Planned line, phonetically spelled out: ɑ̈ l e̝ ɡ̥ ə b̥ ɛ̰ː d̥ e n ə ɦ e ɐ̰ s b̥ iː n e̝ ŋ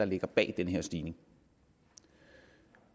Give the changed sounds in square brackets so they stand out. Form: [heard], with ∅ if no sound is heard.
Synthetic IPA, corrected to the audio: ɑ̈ l e̝ ɡ̥ [ɐ] b̥ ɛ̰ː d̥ e n ə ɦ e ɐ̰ s [d̥] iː n e̝ ŋ